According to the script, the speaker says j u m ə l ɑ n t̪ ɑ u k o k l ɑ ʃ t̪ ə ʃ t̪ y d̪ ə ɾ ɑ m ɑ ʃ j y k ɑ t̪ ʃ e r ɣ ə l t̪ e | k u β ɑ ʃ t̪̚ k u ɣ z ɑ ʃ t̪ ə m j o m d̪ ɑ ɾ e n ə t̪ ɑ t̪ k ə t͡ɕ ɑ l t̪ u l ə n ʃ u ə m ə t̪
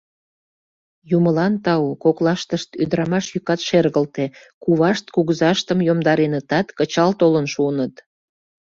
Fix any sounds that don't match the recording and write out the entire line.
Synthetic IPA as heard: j u m ə l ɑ n t̪ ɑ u k o k l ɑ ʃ t̪ ə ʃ t̪ y d̪ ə ɾ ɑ m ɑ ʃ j y k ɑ t̪ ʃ e r ɣ ə l t̪ e | k u β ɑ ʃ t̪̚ k u ɣ z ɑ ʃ t̪ ə m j o m d̪ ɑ ɾ e n ə t̪ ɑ t̪ k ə t͡ɕ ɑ l t̪ o l ə n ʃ u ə n ə t̪